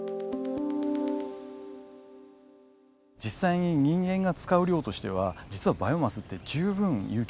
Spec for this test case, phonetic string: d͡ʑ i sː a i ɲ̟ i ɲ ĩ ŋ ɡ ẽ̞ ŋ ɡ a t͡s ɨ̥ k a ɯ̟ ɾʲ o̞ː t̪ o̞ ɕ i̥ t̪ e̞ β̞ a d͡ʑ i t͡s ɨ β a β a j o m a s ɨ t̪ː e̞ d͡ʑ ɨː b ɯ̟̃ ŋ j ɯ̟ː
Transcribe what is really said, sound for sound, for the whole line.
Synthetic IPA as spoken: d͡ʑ i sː a i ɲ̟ i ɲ ĩ ŋ ɡ ẽ̞ ŋ ɡ a t͡s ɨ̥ k a ɯ̟ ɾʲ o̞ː t̪ o̞ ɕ i̥ t̪ e̞ β̞ a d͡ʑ i t͡s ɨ β a b a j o m a s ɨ t̪ː e̞ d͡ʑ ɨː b ɯ̟̃ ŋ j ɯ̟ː